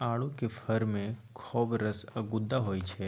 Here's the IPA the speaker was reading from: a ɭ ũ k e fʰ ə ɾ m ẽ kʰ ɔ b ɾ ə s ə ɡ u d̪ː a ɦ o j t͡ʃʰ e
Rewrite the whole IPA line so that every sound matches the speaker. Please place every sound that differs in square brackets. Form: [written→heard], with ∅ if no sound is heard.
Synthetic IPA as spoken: a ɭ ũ k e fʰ ə ɾ m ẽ kʰ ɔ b ɾ ə s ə ɡ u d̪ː a ɦ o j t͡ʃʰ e